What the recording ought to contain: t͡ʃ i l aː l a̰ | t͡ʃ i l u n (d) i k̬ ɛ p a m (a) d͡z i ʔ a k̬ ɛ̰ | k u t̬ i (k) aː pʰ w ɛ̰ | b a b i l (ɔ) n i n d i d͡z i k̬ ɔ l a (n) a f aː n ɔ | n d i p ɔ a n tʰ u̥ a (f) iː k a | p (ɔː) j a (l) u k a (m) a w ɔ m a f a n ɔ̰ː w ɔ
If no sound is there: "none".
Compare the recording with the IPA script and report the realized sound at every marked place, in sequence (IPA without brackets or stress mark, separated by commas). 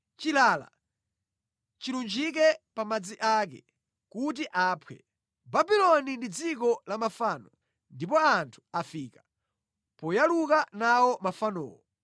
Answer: d͡ʒ, a, ʔ, ɔ, m, f, ɔ, l, n